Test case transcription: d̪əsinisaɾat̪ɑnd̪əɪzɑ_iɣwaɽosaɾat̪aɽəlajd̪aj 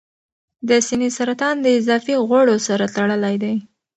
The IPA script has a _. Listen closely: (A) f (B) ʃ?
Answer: A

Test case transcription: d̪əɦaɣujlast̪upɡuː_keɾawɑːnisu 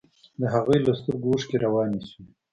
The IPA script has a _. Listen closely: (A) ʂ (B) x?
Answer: A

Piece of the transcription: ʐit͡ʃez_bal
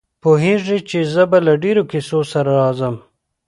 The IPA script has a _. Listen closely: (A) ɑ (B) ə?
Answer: B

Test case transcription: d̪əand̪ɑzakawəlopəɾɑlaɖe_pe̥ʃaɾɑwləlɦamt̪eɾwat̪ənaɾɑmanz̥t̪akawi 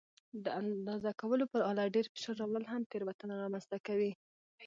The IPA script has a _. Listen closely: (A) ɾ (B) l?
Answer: A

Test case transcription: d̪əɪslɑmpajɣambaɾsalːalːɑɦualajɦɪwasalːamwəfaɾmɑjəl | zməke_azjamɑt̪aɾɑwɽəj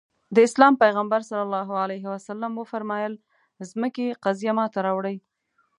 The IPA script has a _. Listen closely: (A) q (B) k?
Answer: A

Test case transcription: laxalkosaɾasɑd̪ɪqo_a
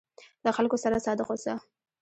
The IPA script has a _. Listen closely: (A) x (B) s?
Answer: B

